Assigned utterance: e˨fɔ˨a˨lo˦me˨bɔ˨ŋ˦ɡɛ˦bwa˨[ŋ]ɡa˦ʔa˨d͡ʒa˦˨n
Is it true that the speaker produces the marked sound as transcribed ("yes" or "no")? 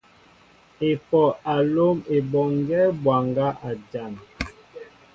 yes